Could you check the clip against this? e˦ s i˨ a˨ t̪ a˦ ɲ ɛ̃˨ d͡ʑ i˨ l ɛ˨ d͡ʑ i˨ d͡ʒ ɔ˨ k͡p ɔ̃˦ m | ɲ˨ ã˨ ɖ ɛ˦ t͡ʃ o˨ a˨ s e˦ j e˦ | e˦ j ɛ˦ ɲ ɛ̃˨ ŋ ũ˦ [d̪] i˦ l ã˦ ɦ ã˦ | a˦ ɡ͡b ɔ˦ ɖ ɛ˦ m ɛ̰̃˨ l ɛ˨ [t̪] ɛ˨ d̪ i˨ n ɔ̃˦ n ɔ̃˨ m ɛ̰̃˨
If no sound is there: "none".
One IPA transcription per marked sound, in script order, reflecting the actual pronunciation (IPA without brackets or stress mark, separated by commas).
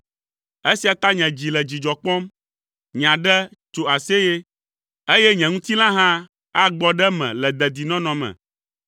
t̪, d̪